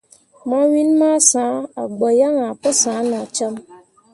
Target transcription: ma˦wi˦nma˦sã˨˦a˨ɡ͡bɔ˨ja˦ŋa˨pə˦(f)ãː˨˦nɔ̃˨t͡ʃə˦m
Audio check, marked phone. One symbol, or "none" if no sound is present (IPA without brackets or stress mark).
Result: s